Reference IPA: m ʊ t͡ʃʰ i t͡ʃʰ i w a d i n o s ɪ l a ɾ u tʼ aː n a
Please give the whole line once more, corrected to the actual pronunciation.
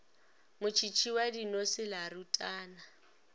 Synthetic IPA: m ʊ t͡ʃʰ i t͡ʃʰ i w a d i n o s ɪ l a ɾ u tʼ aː n a